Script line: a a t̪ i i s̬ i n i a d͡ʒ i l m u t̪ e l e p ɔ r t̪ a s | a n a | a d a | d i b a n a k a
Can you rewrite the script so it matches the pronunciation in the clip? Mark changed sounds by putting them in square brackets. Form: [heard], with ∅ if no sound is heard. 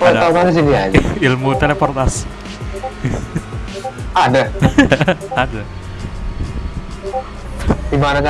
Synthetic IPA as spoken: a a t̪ [a] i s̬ i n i a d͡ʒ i l m u t̪ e l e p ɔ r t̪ a s | a [d] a | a d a | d i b a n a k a